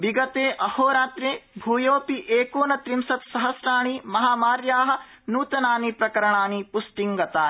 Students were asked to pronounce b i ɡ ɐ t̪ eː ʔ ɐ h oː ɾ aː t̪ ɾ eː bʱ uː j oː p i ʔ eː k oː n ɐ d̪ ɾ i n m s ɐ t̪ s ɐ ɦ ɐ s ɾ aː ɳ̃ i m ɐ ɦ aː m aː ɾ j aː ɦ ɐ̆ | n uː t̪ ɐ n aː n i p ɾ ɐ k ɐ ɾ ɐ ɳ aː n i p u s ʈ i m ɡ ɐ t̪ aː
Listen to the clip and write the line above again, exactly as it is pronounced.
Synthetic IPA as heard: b i ɡ ɐ t̪ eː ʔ ɐ h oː ɾ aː t̪ ɾ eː bʱ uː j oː p i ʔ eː k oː n ɐ t̪ ɾ i m s ɐ t̪ s ɐ ɦ ɐ s ɾ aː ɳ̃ i m ɐ ɦ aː m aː ɾ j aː ɦ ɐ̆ | n uː t̪ ɐ n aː n i p ɾ ɐ k ɐ ɾ ɐ ɳ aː n i p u s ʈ i ŋ ɡ ɐ t̪ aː